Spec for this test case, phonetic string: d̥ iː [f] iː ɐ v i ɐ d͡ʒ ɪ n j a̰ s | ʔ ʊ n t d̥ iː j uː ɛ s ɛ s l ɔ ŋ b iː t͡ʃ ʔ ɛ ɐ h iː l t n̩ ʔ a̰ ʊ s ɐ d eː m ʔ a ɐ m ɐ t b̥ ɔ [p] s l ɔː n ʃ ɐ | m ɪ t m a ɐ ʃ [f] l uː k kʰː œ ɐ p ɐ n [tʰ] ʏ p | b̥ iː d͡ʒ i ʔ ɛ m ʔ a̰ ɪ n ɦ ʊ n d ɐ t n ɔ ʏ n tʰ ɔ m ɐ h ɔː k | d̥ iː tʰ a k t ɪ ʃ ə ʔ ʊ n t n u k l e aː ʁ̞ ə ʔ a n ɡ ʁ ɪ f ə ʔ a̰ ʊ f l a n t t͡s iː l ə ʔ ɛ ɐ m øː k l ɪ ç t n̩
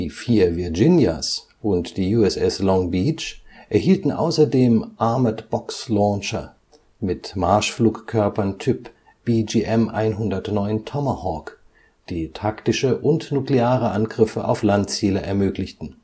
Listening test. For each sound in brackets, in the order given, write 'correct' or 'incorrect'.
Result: correct, incorrect, correct, correct

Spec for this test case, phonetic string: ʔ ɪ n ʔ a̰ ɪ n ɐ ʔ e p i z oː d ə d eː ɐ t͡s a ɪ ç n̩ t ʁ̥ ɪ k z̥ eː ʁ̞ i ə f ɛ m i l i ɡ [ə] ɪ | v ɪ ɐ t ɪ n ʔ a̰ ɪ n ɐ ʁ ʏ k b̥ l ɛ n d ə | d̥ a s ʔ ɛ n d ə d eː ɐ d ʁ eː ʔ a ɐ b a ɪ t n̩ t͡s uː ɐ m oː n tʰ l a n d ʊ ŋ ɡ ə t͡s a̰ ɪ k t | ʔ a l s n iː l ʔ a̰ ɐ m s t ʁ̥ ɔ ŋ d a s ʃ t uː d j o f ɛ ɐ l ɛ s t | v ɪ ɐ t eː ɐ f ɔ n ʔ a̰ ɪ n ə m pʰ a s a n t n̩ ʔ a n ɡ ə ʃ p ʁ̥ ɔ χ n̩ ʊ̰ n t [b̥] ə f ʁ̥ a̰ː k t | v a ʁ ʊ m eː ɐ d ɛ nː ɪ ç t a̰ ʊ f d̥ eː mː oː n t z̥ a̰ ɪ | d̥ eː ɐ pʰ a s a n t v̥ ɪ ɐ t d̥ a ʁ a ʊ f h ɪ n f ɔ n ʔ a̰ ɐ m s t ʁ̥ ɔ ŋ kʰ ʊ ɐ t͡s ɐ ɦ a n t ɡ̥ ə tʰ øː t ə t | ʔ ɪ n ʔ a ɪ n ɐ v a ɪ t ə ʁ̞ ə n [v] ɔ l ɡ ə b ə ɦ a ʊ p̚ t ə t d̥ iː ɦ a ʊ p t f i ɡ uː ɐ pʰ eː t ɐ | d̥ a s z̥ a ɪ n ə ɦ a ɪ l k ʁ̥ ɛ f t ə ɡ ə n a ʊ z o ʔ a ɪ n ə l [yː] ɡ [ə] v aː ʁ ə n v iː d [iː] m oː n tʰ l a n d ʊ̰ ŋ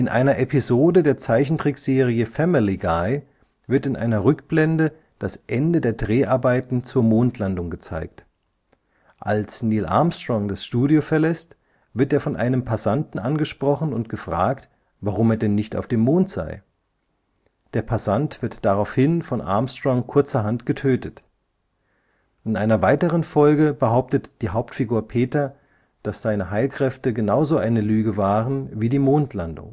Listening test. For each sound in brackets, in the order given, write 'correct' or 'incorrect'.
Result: incorrect, incorrect, incorrect, correct, correct, correct

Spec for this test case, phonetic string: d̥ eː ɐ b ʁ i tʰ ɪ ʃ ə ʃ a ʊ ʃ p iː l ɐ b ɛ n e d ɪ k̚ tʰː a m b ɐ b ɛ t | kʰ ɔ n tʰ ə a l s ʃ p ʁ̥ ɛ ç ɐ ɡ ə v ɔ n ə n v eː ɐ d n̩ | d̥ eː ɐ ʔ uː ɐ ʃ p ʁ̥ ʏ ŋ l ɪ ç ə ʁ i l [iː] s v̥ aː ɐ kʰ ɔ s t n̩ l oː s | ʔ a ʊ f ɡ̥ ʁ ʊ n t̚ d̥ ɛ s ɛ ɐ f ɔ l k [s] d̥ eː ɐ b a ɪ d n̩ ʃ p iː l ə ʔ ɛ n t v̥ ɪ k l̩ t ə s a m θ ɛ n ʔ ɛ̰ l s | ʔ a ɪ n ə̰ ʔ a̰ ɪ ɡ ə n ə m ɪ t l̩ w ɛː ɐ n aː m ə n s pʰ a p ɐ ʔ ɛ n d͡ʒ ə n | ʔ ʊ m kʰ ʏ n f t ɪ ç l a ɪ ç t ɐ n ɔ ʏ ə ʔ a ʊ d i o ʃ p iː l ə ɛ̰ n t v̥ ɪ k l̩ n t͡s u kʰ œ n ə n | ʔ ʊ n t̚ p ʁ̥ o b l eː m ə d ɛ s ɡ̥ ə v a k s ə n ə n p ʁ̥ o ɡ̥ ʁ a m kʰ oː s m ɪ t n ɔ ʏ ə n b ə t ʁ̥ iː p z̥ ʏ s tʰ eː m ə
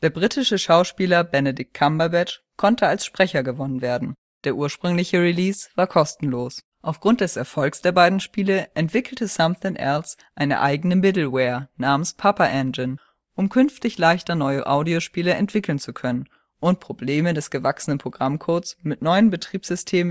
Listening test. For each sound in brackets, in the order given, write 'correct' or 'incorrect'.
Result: correct, correct

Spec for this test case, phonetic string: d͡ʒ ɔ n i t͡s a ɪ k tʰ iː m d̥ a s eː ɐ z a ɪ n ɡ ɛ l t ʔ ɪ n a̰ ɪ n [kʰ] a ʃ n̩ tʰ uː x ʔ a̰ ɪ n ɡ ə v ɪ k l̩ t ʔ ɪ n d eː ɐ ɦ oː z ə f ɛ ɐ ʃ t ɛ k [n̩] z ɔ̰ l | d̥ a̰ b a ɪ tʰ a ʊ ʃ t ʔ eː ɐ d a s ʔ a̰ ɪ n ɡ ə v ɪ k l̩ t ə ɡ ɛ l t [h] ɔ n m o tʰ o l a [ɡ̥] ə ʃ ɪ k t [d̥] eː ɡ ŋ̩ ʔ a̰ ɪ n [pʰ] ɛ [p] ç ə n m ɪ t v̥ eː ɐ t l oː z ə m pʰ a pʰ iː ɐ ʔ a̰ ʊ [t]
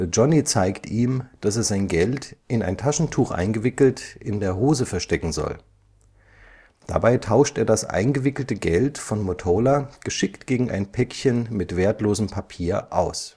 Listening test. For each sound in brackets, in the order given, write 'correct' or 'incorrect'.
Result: incorrect, incorrect, incorrect, correct, incorrect, correct, incorrect, incorrect

